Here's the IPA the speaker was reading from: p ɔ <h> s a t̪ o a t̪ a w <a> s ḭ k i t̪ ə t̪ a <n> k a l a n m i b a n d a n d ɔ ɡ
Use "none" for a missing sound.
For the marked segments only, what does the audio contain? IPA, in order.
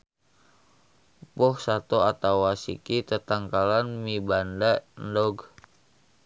h, a, ŋ

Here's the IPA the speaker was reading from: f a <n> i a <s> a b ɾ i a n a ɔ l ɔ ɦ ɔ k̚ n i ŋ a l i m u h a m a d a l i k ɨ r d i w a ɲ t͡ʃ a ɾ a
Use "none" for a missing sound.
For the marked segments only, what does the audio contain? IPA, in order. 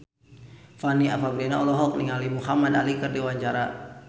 n, f

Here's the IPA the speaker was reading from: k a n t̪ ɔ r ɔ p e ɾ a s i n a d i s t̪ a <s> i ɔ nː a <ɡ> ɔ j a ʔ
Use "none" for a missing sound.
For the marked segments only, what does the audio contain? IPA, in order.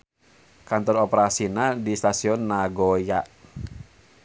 s, ɡ

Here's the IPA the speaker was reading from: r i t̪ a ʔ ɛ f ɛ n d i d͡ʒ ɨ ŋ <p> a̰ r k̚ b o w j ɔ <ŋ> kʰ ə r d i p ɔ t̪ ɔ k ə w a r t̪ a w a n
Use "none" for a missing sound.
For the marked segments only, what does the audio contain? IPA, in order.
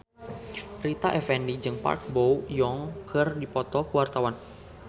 p, ŋ

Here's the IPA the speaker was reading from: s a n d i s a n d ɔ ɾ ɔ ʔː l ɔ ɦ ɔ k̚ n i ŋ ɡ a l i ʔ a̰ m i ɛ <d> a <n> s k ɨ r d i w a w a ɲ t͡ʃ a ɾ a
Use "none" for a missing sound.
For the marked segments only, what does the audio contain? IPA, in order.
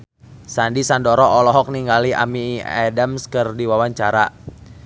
d, m

